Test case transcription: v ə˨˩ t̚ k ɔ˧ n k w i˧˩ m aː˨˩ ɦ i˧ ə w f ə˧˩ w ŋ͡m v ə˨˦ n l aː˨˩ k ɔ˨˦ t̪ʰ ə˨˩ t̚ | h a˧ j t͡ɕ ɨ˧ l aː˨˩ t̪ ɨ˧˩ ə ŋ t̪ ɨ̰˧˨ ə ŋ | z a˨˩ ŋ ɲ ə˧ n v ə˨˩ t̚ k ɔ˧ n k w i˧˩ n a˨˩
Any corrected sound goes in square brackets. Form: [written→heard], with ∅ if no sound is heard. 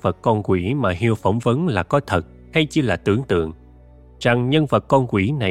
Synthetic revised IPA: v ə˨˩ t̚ k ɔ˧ n k w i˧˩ m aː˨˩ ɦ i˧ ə w f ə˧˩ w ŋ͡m v ə˨˦ n l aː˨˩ k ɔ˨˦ t̪ʰ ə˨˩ t̚ | h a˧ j t͡ɕ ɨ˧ l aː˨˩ t̪ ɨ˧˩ ə ŋ t̪ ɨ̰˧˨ ə ŋ | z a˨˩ ŋ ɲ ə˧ n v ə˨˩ t̚ k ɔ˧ n k w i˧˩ n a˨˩